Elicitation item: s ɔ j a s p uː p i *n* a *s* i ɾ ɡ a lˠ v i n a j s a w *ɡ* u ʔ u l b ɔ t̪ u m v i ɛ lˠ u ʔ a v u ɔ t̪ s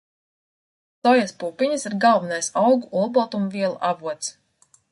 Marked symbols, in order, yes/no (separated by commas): no, yes, yes